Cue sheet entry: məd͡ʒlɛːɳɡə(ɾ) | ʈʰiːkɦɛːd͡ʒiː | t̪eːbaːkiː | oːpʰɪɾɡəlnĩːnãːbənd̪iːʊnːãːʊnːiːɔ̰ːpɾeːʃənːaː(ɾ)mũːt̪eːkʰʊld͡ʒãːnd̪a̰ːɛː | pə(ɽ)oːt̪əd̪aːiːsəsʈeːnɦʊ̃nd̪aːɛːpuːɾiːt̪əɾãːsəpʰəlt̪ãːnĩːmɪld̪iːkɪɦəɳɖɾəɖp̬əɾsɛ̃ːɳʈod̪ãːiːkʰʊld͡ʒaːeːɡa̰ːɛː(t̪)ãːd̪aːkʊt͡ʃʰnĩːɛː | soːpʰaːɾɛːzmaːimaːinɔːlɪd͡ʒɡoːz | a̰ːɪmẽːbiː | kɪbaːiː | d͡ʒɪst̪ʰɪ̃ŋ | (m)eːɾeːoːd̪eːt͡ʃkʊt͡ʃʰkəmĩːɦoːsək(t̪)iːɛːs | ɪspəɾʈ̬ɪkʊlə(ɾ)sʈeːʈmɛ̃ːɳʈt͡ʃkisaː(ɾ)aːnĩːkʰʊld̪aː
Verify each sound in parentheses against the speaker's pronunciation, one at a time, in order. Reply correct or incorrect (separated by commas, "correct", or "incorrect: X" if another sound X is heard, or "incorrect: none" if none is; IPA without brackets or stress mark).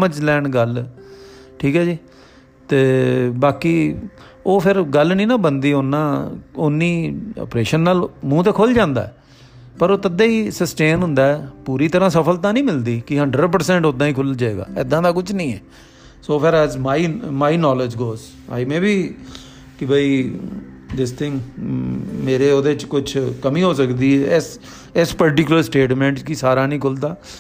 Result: incorrect: l, incorrect: l, incorrect: ɾ, incorrect: d̪, correct, incorrect: d̪, correct, correct